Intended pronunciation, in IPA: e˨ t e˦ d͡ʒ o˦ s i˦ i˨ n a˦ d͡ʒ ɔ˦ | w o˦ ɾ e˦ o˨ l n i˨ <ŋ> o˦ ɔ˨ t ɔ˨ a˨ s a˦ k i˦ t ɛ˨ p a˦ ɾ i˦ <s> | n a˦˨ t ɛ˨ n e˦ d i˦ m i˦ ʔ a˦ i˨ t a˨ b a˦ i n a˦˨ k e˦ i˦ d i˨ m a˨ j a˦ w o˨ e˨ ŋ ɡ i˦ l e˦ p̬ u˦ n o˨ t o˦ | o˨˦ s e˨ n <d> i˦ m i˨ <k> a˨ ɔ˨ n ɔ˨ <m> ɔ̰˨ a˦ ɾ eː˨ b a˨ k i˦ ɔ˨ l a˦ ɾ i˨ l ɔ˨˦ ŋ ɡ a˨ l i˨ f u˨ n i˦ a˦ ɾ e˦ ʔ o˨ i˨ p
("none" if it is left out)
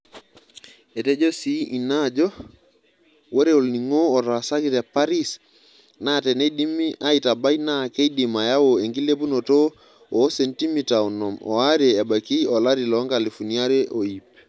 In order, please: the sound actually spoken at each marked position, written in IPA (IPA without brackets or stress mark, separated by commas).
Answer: ŋ, s, t, t, m